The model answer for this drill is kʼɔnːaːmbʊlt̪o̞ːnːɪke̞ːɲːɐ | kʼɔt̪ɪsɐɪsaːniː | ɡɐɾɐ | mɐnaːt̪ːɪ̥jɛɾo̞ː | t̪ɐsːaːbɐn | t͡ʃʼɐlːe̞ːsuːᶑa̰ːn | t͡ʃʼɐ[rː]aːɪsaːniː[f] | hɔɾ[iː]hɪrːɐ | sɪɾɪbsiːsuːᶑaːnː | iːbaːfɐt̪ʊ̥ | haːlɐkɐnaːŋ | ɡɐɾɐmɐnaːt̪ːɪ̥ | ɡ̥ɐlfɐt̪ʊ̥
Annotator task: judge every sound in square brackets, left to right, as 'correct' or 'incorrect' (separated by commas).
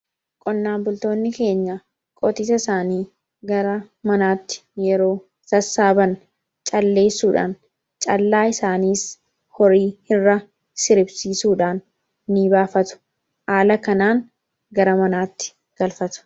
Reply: incorrect, incorrect, correct